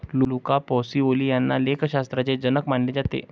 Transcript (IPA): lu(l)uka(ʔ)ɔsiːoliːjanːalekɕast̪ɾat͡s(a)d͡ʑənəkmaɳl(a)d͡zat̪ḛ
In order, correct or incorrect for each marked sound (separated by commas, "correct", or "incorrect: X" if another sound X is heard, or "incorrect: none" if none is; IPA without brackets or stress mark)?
correct, incorrect: p, incorrect: e, incorrect: e